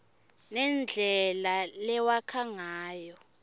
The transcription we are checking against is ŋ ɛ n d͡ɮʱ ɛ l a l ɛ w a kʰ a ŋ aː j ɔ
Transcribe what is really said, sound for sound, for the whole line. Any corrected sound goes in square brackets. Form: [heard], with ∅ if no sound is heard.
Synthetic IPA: [n] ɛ n d͡ɮʱ ɛ l a l ɛ w a kʰ a ŋ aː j ɔ